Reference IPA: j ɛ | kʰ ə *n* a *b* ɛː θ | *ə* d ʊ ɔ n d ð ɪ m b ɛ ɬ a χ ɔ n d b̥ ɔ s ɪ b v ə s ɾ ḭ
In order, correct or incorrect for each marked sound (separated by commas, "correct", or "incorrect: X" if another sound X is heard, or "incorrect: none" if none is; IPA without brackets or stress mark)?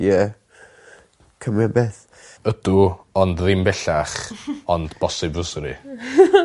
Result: incorrect: m, correct, correct